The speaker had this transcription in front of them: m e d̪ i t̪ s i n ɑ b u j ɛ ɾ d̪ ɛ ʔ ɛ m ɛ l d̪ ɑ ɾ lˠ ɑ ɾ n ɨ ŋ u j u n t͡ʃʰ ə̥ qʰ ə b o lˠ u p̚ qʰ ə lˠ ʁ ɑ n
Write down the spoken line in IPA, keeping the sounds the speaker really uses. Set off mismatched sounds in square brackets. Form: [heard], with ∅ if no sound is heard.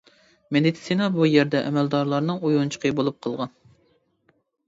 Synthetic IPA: m e d̪ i t̪ s i n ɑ b u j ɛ ɾ d̪ ɛ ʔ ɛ m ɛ l d̪ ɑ ɾ lˠ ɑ ɾ n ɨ ŋ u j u n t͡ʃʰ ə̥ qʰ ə b o lˠ u p̚ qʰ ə lˠ ʁ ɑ n